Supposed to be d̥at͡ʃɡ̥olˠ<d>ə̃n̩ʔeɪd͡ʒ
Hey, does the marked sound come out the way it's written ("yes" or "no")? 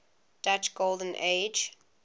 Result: yes